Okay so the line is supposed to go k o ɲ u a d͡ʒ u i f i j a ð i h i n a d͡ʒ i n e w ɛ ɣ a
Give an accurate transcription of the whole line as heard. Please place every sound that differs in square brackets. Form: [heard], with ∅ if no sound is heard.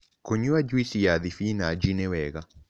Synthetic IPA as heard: k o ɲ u a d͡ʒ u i [s] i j a ð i [f] i n a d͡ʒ i n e w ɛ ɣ a